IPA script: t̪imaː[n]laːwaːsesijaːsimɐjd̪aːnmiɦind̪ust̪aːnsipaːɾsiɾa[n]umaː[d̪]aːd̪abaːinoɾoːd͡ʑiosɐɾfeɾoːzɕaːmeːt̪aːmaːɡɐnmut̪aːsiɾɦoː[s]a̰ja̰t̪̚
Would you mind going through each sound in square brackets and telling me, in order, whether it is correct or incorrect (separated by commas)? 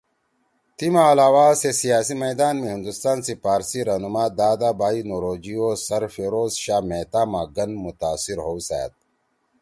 incorrect, correct, correct, correct